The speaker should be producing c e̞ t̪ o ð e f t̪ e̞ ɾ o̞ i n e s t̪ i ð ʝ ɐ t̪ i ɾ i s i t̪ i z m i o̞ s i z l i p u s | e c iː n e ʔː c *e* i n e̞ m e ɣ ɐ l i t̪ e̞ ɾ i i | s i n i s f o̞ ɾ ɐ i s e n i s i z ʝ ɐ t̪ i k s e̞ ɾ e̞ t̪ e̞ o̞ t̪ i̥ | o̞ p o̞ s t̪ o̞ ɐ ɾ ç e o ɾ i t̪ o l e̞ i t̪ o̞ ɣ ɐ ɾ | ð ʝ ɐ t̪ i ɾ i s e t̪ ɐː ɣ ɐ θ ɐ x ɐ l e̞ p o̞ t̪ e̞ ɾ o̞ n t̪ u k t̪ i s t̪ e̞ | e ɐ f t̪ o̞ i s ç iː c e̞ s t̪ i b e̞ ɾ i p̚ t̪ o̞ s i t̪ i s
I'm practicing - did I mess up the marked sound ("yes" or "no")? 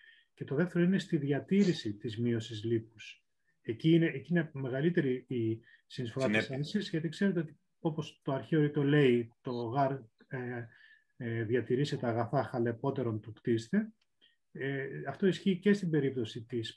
yes